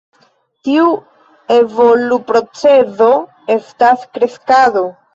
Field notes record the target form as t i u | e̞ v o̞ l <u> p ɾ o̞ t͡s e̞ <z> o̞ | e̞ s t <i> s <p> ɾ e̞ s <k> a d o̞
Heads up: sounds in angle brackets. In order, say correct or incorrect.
correct, correct, incorrect: a, incorrect: k, correct

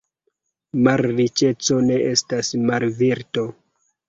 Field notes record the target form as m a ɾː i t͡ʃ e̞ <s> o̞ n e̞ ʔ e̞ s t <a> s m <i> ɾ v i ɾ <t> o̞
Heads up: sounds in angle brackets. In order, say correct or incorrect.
incorrect: t͡s, correct, incorrect: a, correct

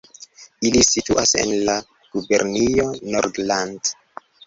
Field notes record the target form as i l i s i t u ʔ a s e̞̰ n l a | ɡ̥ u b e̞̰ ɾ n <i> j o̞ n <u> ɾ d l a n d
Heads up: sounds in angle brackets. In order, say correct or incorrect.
correct, incorrect: o

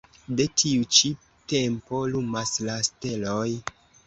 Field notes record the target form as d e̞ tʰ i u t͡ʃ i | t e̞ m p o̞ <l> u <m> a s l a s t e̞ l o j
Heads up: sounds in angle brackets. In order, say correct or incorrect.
correct, correct

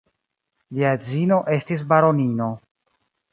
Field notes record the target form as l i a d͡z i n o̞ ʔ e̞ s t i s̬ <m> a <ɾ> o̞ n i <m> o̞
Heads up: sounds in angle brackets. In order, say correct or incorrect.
incorrect: b, correct, incorrect: n

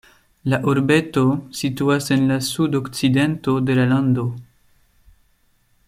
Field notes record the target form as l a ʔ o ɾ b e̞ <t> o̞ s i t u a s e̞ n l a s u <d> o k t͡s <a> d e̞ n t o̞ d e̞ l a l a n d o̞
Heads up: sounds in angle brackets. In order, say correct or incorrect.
correct, correct, incorrect: i

